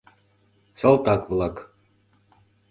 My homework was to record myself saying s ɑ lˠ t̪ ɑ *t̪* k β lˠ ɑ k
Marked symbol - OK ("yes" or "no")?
no